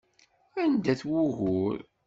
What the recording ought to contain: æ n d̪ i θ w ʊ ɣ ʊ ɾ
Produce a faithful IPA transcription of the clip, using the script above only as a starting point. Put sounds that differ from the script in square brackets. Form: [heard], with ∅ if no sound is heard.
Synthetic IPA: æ n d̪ [æ] θ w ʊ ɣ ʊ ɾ